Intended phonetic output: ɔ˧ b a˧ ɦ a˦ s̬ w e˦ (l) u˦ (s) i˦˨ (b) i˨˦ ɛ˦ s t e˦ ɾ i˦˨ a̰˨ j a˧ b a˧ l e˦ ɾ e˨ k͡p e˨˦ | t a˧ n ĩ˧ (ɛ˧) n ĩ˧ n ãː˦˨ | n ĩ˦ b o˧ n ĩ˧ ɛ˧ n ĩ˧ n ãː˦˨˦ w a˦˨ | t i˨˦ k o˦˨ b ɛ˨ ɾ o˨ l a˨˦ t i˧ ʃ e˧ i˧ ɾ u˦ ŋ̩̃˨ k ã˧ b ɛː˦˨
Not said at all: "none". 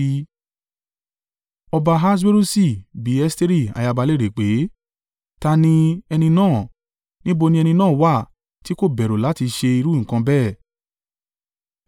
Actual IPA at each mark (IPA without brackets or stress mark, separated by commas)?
ɾ, s, b, ɛ˧